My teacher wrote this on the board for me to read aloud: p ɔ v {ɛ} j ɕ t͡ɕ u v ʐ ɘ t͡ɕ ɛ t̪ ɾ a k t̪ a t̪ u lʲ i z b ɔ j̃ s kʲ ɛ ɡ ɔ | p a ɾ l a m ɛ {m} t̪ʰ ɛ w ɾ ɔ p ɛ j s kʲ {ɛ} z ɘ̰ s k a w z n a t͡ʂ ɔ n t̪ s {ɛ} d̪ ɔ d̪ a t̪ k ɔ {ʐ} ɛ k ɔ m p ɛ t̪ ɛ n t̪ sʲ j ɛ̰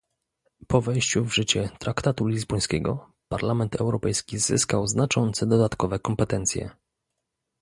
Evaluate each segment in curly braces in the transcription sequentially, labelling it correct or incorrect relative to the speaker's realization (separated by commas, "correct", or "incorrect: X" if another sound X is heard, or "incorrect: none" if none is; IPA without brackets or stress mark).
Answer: correct, incorrect: n, incorrect: i, correct, incorrect: v